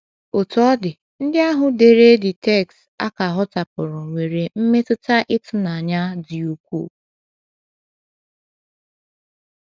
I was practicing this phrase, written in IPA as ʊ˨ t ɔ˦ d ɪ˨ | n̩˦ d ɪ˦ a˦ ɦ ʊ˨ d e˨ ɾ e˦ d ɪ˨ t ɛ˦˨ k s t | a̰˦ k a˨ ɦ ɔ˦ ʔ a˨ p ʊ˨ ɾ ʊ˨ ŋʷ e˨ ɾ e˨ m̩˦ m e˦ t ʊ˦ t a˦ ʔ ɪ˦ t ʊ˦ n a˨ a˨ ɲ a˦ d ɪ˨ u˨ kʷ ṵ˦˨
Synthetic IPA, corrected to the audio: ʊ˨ t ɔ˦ d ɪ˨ | n̩˦ d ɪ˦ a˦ ɦ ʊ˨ d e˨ ɾ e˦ d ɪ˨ t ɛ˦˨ k s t | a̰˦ k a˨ ɦ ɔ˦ t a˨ p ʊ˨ ɾ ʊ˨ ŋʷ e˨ ɾ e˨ m̩˦ m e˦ t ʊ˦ t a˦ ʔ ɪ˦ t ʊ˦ n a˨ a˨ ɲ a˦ d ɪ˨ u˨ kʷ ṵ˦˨